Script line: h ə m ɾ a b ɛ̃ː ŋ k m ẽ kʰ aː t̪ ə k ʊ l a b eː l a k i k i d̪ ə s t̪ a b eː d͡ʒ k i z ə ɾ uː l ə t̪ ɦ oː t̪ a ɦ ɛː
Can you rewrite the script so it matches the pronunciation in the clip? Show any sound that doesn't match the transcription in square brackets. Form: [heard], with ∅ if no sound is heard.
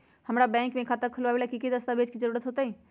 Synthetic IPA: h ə m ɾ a b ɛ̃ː ŋ k m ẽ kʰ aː t̪ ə [kʰ] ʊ l a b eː l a k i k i d̪ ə s t̪ a b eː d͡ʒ k i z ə ɾ uː [ɾ] ə t̪ ɦ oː t̪ a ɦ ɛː